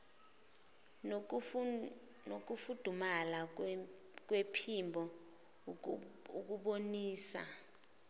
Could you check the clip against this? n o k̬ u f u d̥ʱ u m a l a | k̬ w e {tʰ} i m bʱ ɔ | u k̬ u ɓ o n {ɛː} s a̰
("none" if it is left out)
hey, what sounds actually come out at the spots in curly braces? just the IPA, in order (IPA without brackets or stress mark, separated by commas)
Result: pʰ, iː